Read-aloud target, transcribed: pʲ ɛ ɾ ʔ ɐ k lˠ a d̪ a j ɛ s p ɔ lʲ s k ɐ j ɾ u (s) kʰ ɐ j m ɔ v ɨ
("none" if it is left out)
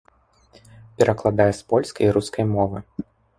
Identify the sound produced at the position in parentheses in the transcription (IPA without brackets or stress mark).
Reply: s